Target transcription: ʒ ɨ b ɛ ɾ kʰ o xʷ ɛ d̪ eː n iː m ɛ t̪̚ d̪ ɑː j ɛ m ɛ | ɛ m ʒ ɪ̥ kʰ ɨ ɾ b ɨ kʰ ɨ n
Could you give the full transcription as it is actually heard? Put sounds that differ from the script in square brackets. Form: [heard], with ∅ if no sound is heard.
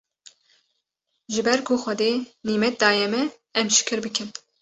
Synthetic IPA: ʒ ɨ b ɛ ɾ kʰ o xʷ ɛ d̪ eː n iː m ɛ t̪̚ d̪ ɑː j ɛ m ɛ | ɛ m [ʃ] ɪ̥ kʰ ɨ ɾ b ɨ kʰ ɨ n

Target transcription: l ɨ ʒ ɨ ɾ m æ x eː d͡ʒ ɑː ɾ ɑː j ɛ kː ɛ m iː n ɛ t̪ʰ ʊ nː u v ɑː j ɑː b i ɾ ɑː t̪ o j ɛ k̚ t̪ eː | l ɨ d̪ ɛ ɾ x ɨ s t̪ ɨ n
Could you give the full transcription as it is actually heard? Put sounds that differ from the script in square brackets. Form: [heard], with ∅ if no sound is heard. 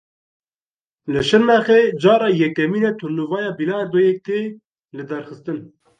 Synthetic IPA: l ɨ [ʃ] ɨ ɾ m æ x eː d͡ʒ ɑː ɾ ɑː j ɛ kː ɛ m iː n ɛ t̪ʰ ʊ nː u v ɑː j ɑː b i [l] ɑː [d̪] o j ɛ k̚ t̪ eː | l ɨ d̪ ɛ ɾ x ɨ s t̪ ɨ n

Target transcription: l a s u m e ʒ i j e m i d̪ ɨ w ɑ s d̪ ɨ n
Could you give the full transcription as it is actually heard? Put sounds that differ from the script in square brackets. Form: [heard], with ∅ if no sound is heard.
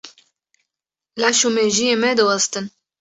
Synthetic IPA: l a [ʃ] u m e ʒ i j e m [ɛ] d̪ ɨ w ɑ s [t̪] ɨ n

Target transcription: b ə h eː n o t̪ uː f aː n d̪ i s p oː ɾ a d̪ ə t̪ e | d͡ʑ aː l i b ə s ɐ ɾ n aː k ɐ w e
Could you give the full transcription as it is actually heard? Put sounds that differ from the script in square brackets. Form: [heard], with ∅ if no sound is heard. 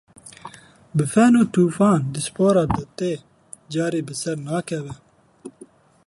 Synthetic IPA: b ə [f] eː n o t̪ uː f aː n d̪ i s p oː ɾ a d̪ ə t̪ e | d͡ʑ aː [ɾ] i b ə s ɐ ɾ n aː k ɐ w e

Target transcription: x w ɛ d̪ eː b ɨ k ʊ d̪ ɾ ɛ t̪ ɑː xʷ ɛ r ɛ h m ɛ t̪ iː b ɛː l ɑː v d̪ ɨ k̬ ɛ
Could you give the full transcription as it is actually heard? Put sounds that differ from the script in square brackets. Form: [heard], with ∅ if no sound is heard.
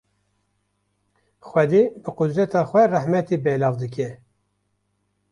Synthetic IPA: x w ɛ d̪ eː b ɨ [q] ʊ d̪ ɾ ɛ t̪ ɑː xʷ ɛ r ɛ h m ɛ t̪ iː b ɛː l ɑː v d̪ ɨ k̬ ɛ

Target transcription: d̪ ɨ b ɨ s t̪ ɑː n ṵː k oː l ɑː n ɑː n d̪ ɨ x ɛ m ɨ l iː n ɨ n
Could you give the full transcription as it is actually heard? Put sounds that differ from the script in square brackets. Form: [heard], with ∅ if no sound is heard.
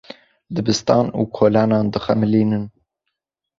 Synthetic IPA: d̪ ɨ b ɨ s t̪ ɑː n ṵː [kʰ] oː l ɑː n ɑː n d̪ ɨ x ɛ m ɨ l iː n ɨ n

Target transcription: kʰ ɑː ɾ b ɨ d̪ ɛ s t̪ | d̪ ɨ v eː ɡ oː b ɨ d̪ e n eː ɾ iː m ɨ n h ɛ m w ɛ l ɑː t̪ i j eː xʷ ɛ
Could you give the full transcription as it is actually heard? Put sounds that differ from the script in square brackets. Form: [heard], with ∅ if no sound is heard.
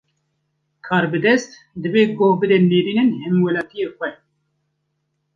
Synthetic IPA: kʰ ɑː ɾ b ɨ d̪ ɛ s t̪ | d̪ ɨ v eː ɡ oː b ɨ d̪ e n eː ɾ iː [n] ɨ n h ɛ m w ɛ l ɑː t̪ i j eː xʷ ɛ

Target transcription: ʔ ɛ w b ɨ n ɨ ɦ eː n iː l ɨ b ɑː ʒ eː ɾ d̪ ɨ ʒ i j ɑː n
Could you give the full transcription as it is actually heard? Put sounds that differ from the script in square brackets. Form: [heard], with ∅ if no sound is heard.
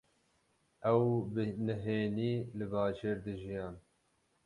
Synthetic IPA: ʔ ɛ w b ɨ n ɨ ɦ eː n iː l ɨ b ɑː ʒ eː ɾ d̪ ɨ ʒ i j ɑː n

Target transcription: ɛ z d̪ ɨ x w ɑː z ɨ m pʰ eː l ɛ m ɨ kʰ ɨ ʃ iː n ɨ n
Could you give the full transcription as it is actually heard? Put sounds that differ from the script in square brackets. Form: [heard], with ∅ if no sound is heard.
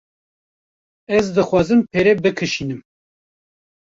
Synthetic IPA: ɛ z d̪ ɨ x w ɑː z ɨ m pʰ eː [ɾ] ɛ [b] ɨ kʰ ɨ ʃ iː n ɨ [m]

